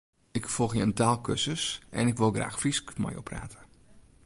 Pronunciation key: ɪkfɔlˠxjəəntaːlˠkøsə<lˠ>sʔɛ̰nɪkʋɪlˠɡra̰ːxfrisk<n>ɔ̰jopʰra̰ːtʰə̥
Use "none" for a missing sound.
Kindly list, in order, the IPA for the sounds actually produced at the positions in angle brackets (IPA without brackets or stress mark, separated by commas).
none, m